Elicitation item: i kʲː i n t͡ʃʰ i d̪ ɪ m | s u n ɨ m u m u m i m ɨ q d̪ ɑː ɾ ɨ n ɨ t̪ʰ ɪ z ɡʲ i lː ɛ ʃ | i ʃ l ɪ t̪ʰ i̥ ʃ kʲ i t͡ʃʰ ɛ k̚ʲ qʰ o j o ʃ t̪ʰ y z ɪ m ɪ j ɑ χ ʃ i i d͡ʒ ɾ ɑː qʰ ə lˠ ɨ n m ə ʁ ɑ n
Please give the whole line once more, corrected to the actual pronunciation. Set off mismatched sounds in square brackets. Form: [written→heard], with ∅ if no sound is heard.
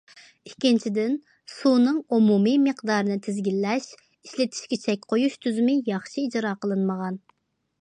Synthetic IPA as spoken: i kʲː i n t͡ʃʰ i d̪ ɪ [m→n] | s u n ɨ [m→ŋ] u m u m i m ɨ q d̪ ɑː ɾ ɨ n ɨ t̪ʰ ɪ z ɡʲ i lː ɛ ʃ | i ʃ l ɪ t̪ʰ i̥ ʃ kʲ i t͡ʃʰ ɛ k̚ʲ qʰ o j [o→u] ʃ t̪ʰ y z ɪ m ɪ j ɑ χ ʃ i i d͡ʒ ɾ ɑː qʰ ə lˠ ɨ n m ə ʁ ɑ n